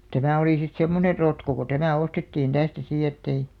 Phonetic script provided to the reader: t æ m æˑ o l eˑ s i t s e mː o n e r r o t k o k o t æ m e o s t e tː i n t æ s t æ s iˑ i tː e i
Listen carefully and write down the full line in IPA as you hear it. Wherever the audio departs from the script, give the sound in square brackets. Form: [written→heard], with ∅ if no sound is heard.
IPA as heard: t æ m æˑ o l [eˑ→iˑ] s i t s e mː o n e r r o t k o k o t æ m [e→æ] o s t e tː [i→iː] n t æ s t æ s iˑ [i→e] tː e i